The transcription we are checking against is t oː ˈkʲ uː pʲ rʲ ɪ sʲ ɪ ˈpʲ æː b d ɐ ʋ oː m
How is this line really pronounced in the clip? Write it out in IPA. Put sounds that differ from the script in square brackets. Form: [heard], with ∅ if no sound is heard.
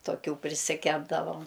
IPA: t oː ˈkʲ uː pʲ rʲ ɪ sʲ ɪ [ˈkʲ] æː b d ɐ ʋ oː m